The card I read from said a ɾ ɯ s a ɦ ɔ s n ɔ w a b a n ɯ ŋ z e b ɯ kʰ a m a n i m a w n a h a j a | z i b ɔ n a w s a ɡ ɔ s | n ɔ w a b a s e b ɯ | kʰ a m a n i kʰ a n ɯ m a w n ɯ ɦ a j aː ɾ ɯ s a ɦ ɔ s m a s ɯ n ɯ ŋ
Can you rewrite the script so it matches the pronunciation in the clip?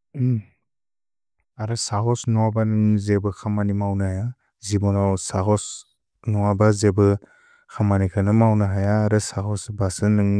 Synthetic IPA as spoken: a ɾ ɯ s a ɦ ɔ s n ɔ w a b a n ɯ ŋ z e b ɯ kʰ a m a n i m a w n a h a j a | z i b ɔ n a w s a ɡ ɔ s | n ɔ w a b a z e b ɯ | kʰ a m a n i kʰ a n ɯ m a w n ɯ ɦ a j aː ɾ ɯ s a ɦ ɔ s b a s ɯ n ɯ ŋ